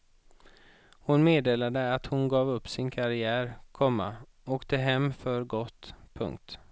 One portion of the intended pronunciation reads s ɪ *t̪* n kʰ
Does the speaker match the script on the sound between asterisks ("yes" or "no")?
no